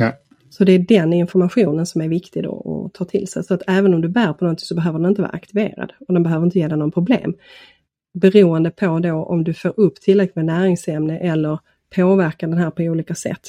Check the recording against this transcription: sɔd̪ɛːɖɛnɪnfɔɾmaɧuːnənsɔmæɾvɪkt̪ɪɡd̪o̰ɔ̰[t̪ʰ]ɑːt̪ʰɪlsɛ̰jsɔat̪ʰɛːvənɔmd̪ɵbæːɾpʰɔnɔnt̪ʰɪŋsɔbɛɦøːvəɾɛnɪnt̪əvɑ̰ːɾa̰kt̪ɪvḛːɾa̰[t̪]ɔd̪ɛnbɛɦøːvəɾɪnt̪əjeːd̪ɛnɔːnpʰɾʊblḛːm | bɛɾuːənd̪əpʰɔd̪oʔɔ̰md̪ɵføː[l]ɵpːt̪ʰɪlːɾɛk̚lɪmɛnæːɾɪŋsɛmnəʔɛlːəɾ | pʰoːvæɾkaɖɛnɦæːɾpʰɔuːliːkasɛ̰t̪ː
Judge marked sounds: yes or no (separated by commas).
yes, no, no